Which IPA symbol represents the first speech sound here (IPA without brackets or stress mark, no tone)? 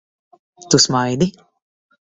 t̪